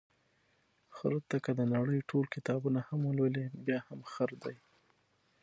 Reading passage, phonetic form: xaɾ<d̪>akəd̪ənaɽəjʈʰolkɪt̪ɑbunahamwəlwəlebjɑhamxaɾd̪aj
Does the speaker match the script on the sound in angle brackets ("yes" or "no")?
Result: no